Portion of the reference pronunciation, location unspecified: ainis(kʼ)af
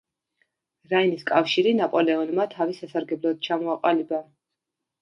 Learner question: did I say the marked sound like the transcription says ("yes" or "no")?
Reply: yes